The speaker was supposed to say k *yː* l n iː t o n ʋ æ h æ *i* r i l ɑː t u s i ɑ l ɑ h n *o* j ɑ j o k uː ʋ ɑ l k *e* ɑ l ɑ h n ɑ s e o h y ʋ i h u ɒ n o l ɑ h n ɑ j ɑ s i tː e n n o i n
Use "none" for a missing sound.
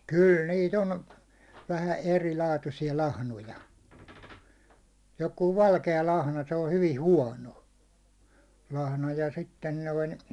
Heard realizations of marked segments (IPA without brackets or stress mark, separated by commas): y, e, o, e